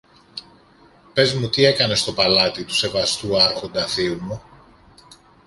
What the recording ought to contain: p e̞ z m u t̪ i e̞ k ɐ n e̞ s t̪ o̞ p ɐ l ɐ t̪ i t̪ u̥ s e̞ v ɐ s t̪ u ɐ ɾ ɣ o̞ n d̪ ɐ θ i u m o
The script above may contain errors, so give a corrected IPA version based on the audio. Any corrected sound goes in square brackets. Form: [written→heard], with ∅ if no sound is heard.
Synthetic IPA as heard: p e̞ z m u t̪ i e̞ k ɐ n e̞ s t̪ o̞ p ɐ l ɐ t̪ i t̪ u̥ s e̞ v ɐ s t̪ u ɐ ɾ [ɣ→x] o̞ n d̪ ɐ θ i u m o